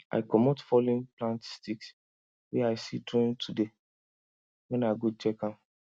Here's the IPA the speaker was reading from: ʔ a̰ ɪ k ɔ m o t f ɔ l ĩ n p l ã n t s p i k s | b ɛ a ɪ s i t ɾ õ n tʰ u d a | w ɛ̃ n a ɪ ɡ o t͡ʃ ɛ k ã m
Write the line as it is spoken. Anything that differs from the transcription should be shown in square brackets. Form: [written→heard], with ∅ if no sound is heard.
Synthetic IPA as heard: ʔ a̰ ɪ k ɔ m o t f ɔ l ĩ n p l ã n t s [p→t] i k s | [b→w] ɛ a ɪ s i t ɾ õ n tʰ u d [a→e] | w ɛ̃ n a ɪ ɡ o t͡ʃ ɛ k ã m